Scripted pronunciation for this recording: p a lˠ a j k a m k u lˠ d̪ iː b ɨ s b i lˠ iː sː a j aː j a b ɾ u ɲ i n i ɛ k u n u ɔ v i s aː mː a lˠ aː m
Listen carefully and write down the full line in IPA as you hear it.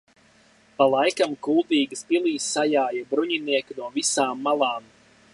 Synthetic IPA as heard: p a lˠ a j k a m k u lˠ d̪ iː ɡ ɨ s p i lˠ iː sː a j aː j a b ɾ u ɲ i n i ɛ k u n u ɔ v i s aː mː a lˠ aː m